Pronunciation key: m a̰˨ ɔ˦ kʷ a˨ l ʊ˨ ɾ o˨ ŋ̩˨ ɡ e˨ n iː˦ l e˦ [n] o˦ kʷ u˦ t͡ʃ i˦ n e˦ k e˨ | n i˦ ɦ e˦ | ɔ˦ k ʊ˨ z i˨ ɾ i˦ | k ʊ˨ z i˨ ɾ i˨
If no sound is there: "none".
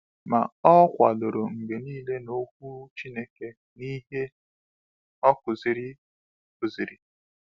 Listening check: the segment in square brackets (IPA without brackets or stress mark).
n